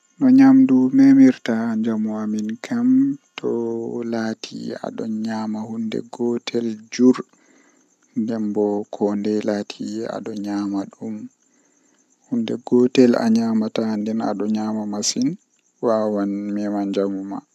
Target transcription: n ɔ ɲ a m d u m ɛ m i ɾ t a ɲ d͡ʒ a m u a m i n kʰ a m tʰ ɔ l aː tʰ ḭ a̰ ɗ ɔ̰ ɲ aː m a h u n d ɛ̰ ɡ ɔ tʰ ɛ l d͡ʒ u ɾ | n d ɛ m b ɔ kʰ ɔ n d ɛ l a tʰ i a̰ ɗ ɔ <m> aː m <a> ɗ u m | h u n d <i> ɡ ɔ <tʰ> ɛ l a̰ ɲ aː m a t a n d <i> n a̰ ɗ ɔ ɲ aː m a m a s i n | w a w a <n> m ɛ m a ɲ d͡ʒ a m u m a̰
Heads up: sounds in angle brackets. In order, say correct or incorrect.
incorrect, correct, incorrect, incorrect, incorrect, correct

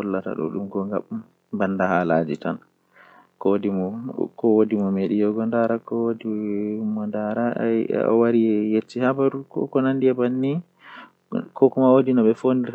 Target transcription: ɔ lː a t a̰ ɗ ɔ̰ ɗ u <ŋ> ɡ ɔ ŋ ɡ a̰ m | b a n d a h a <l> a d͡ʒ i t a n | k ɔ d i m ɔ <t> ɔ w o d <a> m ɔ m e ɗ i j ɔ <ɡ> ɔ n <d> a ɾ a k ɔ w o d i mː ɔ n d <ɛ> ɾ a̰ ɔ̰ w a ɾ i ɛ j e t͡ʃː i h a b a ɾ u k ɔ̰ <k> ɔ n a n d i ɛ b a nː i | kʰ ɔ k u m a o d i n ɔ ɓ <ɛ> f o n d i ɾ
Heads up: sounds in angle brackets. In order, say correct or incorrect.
incorrect, correct, incorrect, incorrect, correct, correct, incorrect, correct, correct

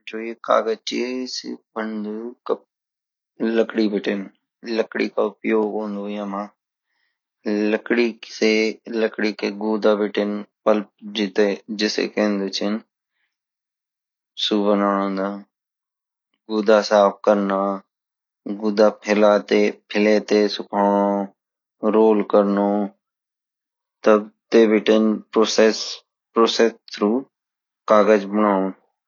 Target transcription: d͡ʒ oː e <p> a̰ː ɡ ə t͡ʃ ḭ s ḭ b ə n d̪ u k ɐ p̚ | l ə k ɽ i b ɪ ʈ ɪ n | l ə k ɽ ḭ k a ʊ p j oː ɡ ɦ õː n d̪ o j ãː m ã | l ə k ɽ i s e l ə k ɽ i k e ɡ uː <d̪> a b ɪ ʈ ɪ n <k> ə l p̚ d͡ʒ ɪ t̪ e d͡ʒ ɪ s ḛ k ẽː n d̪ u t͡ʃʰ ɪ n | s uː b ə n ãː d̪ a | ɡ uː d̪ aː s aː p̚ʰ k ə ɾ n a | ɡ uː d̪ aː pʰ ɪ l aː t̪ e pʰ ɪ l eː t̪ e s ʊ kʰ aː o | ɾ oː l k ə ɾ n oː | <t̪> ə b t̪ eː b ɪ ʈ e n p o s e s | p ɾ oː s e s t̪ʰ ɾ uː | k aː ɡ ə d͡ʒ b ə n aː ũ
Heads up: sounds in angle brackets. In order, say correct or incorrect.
incorrect, correct, incorrect, correct

